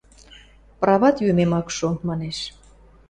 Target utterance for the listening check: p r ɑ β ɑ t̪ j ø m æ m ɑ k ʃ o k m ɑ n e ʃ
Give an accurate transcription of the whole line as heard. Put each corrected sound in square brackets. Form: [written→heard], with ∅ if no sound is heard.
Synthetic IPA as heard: p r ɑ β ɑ t̪ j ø m [æ→e] m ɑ k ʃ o [k→∅] m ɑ n e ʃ

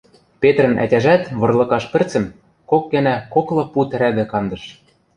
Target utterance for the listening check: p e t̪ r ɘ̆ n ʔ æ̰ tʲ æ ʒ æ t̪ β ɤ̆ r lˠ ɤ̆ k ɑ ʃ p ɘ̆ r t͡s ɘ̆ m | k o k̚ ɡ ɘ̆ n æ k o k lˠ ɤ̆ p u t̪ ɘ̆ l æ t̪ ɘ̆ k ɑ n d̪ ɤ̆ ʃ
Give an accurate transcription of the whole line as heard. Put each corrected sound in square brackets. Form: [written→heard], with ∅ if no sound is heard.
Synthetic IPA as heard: p e t̪ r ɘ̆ n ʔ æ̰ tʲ æ ʒ æ t̪ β ɤ̆ r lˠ ɤ̆ k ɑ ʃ p ɘ̆ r t͡s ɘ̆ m | k o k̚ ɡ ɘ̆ n æ k o k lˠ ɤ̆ p u t̪ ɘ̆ [l→ɾ] æ [t̪→d̪] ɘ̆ k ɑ n d̪ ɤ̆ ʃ

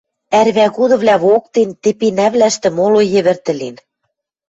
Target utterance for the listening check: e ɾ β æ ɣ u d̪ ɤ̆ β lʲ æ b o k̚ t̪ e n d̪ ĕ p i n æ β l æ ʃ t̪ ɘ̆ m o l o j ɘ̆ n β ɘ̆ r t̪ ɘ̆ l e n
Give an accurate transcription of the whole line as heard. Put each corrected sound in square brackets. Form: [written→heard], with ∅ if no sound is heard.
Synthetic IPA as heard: [e→æ] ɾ β æ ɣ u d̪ ɤ̆ β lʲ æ [b→β] o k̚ t̪ e n [d̪→t̪] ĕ p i n æ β l æ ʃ t̪ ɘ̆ m o l o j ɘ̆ [n→∅] β ɘ̆ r t̪ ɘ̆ l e n

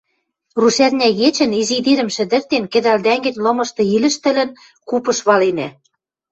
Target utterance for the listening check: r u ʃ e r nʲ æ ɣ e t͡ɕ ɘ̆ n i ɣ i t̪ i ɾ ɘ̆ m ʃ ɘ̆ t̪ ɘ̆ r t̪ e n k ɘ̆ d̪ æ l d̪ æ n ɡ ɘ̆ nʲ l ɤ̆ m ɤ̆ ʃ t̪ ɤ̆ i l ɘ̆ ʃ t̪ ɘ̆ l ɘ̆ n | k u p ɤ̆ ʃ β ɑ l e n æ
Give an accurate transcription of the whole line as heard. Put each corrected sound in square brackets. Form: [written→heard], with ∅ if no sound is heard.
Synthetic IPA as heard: r u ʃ [e→æ] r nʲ æ ɣ e t͡ɕ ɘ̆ n i [ɣ→z] i [t̪→d̪] i ɾ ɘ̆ m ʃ ɘ̆ [t̪→d̪] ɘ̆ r t̪ e n k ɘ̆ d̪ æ l d̪ æ [n→ŋ] ɡ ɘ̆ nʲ l ɤ̆ m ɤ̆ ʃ t̪ ɤ̆ i l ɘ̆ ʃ t̪ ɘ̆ l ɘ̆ n | k u p ɤ̆ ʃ β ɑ l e n æ

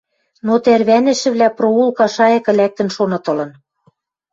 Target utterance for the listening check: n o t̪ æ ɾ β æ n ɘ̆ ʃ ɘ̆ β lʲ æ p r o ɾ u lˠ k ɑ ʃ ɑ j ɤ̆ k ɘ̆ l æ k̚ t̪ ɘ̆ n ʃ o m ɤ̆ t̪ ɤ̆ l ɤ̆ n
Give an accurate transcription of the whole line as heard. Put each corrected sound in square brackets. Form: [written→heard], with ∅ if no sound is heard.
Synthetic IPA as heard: n o t̪ æ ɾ β æ n ɘ̆ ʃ ɘ̆ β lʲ æ p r o [ɾ→∅] u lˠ k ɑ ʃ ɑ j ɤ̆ k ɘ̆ l æ k̚ t̪ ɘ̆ n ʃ o [m→n] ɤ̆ t̪ ɤ̆ l ɤ̆ n

